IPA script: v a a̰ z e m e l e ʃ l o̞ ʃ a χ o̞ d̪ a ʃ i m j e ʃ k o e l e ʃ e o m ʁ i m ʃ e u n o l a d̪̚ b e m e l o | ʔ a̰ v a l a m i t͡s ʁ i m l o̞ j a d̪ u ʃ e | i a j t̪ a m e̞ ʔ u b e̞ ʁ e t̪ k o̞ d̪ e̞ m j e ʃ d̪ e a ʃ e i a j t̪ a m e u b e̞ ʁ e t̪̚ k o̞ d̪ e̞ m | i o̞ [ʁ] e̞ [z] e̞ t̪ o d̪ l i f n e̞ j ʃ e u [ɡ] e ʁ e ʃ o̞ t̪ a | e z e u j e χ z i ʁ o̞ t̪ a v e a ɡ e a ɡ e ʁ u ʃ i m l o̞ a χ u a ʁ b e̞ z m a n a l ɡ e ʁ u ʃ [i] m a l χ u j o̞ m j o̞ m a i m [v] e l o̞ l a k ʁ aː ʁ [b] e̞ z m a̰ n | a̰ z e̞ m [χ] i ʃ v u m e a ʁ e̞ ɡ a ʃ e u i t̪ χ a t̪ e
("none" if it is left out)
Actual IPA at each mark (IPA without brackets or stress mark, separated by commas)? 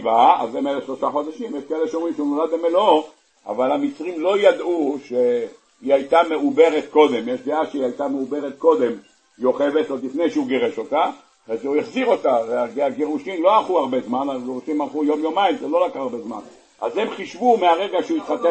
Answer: χ, v, ɡ, i, z, b, χ